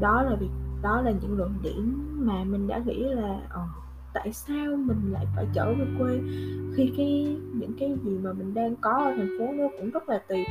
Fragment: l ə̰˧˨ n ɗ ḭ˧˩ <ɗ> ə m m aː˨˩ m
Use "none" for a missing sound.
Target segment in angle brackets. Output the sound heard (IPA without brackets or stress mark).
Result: none